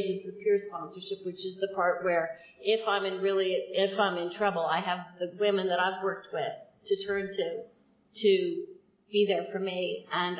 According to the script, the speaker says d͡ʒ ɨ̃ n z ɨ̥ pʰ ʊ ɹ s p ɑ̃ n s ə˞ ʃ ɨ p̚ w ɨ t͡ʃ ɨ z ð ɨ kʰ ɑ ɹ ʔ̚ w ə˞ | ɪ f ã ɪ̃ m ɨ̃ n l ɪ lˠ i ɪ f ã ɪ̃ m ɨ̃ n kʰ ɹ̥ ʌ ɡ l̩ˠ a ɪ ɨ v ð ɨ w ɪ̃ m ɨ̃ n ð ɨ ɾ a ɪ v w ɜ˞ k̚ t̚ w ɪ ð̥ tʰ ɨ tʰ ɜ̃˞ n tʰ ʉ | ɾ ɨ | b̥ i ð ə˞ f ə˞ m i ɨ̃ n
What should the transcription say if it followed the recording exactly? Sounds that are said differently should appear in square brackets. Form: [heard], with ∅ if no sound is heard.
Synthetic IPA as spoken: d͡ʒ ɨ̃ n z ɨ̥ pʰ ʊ ɹ s p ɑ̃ n s ə˞ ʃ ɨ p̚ w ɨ t͡ʃ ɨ z ð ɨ [pʰ] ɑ ɹ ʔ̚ w ə˞ | ɪ f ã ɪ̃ m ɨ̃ n [ɹ] ɪ lˠ i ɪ f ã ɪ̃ m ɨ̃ n [tʰ] ɹ̥ ʌ [b] l̩ˠ a ɪ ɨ v ð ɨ w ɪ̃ m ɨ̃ n ð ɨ ɾ a ɪ v w ɜ˞ k̚ t̚ w ɪ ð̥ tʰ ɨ tʰ ɜ̃˞ n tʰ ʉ | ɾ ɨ | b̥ i ð ə˞ f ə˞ m i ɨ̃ n